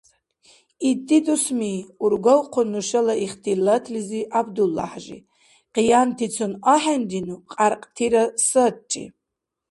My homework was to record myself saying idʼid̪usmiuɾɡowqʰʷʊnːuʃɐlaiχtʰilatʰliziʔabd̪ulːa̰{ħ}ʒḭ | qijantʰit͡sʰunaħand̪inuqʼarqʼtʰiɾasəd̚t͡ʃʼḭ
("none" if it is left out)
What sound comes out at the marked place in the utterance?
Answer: ħ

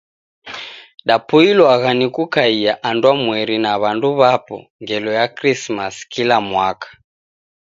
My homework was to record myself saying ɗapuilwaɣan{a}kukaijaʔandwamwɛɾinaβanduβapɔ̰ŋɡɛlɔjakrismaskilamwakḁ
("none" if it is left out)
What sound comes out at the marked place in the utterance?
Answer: i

